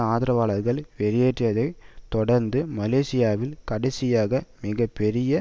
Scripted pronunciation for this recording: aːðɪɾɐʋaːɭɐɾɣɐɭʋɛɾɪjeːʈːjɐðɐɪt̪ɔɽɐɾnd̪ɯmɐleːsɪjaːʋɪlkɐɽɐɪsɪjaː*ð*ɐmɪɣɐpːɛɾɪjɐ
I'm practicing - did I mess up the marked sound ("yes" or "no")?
yes